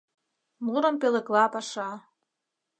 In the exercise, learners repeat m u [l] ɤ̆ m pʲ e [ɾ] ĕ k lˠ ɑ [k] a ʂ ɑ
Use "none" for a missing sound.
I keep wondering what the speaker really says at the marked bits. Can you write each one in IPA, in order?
ɾ, l, p

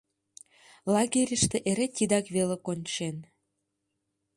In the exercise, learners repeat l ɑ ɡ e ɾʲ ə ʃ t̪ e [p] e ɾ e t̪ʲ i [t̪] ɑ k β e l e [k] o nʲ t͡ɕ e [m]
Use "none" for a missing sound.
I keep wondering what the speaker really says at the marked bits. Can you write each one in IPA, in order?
ʔ, d̪, k, n

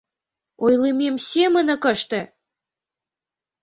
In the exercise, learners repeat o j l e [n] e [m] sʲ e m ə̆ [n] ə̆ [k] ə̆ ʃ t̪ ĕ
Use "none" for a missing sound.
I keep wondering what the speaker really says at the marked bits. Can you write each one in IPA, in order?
m, m, n, k

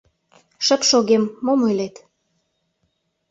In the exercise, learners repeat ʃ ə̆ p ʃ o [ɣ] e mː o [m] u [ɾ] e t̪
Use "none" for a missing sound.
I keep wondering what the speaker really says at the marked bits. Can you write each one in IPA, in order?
ɣ, m, l

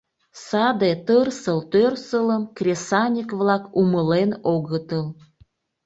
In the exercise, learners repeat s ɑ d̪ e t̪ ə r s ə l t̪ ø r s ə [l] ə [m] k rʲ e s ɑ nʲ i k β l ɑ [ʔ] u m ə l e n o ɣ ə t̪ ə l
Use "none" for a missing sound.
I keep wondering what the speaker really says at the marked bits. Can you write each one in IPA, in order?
l, m, k

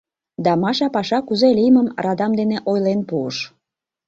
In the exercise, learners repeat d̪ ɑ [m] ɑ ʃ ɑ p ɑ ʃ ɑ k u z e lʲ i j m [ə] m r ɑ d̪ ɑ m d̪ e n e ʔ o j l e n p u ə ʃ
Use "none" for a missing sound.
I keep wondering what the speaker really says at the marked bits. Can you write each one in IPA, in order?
m, ə

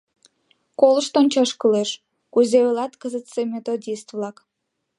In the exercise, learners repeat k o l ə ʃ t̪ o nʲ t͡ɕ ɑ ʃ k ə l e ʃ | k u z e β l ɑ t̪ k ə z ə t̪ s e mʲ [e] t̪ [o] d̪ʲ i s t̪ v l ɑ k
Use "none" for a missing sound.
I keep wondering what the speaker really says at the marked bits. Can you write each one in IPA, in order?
e, o

